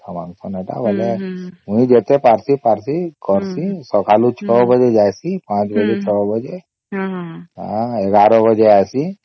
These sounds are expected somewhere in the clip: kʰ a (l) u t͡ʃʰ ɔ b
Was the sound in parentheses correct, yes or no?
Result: yes